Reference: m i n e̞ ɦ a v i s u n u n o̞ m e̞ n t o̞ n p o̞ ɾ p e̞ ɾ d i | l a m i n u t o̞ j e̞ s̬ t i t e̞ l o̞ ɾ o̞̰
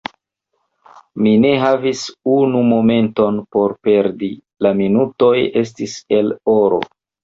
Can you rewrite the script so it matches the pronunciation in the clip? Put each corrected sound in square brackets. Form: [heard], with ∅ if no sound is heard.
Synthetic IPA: m i n e̞ ɦ a v i s u n u [m] o̞ m e̞ n t o̞ n p o̞ ɾ p e̞ ɾ d i | l a m i n u t o̞ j e̞ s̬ t i [s] e̞ l o̞ ɾ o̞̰